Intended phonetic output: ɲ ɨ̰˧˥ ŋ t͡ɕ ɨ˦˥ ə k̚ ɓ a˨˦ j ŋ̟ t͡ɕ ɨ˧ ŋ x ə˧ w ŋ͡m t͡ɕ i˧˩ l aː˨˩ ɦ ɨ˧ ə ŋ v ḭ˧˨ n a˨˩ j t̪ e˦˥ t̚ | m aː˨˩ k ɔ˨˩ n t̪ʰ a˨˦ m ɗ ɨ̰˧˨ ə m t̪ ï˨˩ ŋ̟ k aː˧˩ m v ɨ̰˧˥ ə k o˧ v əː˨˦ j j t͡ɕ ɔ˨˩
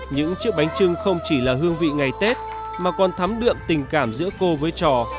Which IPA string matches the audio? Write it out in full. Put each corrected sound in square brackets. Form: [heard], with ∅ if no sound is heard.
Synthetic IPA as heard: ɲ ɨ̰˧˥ ŋ t͡ɕ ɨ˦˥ ə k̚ ɓ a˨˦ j ŋ̟ t͡ɕ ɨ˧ ŋ x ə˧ w ŋ͡m t͡ɕ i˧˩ l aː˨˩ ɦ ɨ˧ ə ŋ v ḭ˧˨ [ŋ] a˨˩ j t̪ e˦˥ t̚ | m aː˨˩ k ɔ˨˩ n t̪ʰ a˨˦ m ɗ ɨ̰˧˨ ə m t̪ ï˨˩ ŋ̟ k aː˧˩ m [z] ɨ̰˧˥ ə k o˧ v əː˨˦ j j t͡ɕ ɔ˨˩